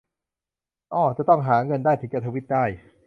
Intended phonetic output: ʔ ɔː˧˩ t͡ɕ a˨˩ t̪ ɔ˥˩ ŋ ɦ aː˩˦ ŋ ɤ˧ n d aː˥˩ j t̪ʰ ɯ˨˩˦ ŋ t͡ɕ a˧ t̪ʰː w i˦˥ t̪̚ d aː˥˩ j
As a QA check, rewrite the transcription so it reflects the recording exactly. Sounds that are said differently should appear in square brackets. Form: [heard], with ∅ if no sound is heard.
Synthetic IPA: ʔ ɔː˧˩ t͡ɕ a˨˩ t̪ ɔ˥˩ ŋ ɦ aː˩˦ ŋ ɤ˧ n d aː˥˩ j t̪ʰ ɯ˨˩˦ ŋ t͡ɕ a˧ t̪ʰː w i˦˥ t̪̚ d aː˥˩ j